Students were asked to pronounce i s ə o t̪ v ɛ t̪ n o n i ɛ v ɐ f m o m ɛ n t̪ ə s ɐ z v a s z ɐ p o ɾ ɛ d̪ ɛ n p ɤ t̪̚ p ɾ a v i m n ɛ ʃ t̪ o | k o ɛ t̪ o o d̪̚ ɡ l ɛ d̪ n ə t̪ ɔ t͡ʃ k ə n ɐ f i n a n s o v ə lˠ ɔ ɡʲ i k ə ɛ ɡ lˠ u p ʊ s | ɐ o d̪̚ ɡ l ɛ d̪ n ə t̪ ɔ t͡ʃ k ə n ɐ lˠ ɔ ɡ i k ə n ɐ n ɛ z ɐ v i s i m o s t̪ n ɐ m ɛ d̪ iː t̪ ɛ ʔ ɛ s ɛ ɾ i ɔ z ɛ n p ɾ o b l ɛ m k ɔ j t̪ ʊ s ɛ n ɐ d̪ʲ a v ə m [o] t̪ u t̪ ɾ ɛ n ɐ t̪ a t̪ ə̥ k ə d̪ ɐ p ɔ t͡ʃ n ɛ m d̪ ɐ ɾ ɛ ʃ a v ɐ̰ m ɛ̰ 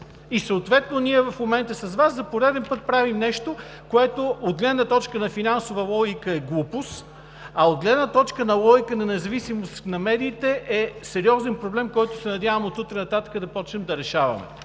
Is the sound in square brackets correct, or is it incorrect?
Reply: correct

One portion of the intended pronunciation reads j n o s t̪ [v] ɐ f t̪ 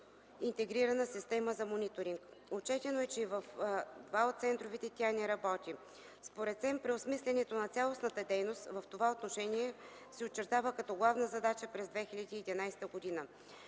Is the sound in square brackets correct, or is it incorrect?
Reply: correct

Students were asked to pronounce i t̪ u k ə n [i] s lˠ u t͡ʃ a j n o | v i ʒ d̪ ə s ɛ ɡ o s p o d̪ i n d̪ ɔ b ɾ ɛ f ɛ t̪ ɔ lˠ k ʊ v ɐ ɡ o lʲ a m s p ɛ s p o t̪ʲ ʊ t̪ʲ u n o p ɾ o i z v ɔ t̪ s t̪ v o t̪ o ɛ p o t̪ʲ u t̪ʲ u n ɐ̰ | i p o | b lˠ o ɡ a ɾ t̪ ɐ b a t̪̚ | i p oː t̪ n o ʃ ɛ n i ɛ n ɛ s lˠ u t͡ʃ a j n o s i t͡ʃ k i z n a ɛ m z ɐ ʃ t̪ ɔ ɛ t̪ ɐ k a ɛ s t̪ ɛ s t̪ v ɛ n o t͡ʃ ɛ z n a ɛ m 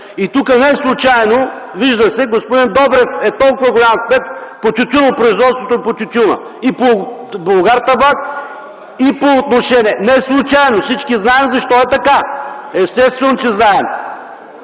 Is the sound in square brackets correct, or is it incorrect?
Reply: incorrect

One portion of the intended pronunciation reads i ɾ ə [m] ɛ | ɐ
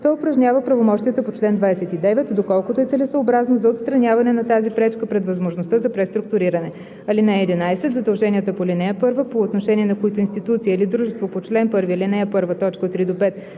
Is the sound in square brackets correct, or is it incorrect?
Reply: incorrect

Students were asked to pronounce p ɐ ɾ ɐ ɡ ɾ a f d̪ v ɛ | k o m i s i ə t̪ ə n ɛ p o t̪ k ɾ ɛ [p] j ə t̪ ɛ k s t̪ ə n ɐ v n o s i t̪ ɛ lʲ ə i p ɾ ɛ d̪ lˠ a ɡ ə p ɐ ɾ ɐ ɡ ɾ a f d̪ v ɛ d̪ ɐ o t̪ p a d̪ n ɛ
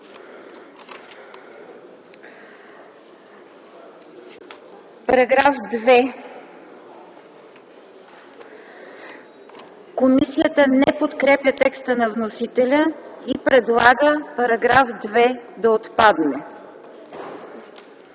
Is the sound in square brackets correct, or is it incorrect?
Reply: correct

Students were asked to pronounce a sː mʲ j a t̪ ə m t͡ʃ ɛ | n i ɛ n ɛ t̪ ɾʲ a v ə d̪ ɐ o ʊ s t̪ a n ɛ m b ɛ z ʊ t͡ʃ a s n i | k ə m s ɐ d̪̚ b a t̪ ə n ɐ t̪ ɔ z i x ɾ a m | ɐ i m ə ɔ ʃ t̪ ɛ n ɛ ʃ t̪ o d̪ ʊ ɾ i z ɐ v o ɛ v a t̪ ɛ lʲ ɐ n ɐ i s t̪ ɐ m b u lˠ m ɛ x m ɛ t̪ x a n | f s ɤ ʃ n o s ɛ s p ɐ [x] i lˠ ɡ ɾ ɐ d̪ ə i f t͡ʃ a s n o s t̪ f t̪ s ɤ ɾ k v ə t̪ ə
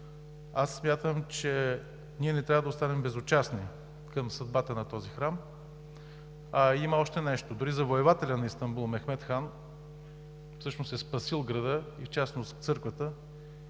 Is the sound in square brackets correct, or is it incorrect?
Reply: incorrect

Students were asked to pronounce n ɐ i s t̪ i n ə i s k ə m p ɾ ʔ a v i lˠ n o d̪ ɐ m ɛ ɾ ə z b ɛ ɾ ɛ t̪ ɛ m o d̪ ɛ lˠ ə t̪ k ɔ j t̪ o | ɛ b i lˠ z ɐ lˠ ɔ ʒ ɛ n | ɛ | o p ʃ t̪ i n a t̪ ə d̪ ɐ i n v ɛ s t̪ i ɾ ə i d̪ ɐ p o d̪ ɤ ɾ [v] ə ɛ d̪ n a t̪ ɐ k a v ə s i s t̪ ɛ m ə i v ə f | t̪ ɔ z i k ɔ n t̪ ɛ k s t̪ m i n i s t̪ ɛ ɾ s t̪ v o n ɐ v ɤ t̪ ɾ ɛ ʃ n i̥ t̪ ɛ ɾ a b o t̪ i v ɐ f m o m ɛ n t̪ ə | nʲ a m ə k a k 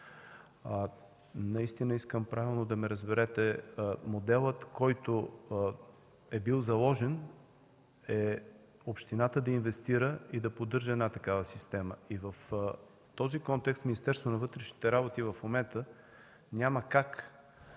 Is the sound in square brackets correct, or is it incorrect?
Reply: incorrect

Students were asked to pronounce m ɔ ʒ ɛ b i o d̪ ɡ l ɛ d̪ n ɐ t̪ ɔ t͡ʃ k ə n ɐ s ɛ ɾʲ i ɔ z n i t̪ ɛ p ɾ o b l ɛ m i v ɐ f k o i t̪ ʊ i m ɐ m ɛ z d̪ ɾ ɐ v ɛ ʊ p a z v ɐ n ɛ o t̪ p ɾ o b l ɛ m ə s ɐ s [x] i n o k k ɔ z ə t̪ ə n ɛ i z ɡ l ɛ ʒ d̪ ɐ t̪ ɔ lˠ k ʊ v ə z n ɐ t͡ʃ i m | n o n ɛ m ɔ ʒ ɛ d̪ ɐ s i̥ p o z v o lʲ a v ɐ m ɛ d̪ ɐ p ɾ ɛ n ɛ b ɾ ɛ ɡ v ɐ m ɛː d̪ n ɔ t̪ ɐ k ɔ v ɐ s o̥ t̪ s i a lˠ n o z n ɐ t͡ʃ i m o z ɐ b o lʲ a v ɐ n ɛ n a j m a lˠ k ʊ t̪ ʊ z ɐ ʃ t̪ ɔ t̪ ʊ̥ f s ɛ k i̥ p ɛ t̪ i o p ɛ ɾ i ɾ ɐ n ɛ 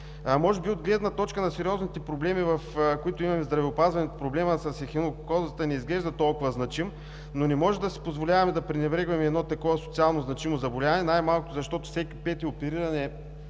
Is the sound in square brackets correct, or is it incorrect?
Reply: correct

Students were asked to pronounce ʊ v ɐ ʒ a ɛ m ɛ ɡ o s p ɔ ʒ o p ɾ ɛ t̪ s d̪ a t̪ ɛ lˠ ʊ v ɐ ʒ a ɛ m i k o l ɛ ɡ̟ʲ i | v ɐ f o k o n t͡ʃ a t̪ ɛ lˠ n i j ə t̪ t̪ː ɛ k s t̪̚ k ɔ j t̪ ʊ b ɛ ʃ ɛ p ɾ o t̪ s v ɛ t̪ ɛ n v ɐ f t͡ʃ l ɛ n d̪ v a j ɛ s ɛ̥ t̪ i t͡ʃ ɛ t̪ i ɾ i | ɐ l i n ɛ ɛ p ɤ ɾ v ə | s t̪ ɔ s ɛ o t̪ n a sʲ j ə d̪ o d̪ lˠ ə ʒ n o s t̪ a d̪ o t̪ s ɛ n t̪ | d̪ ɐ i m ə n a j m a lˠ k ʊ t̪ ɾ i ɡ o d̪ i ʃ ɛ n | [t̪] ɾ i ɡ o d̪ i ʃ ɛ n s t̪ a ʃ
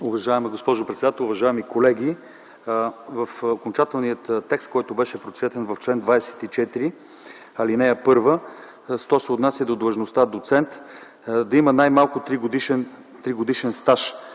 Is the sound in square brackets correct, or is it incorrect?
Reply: correct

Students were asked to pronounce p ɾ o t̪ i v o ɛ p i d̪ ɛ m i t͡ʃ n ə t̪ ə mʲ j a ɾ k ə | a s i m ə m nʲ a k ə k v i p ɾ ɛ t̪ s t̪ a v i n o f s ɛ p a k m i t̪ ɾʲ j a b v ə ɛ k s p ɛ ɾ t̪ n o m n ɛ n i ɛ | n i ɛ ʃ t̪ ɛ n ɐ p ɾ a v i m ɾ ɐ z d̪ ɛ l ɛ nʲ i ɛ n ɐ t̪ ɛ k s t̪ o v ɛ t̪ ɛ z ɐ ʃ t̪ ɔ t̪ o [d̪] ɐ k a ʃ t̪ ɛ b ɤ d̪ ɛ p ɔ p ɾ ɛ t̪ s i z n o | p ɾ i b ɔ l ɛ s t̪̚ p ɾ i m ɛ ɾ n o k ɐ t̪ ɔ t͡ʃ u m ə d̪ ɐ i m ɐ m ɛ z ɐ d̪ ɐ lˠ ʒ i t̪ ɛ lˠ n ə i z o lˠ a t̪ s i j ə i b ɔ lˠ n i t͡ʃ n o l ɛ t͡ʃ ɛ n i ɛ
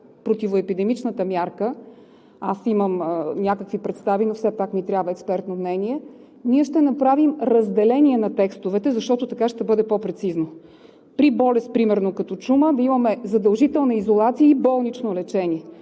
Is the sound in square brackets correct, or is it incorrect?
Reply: incorrect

